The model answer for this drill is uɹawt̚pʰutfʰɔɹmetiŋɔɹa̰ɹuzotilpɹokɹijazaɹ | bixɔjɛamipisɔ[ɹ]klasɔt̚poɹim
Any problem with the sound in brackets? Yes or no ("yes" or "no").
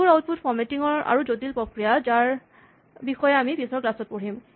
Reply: no